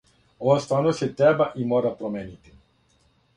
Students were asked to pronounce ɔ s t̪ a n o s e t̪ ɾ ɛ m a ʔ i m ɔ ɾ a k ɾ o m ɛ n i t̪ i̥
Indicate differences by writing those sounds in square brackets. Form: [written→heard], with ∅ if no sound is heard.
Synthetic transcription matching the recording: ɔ s t̪ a n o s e t̪ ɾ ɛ [m→b] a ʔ i m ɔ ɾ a [k→p] ɾ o m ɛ n i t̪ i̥